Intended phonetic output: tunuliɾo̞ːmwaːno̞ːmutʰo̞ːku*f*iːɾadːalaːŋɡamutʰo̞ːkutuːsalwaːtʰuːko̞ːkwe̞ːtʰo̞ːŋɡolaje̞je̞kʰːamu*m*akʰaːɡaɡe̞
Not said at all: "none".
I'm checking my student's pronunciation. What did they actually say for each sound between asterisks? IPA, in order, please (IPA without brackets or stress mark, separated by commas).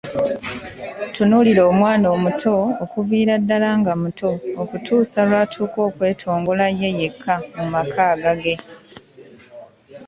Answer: v, m